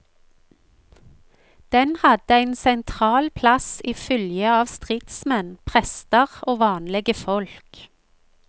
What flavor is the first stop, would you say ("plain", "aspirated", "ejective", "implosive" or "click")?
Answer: plain